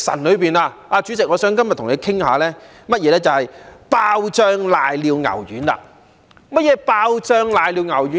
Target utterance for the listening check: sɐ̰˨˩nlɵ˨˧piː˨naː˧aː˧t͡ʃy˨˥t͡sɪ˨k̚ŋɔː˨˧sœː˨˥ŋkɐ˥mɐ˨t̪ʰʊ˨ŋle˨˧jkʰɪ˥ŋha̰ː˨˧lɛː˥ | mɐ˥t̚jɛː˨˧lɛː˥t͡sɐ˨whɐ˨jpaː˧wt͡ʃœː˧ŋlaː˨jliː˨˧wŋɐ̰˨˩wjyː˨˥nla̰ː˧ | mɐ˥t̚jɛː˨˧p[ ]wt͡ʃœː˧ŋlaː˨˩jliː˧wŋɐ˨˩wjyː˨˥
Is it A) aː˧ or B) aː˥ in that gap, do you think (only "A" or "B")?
A